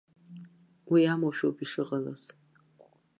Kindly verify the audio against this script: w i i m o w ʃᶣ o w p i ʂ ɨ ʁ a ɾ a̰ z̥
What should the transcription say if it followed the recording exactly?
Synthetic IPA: w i a m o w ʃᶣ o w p i ʂ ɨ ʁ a l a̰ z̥